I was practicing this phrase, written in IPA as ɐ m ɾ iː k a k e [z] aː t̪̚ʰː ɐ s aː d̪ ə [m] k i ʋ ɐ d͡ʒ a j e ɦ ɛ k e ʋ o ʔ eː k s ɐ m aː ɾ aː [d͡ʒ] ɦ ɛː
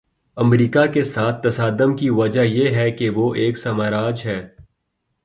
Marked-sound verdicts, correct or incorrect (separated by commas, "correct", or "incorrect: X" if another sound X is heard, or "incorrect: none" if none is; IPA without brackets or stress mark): incorrect: s, correct, correct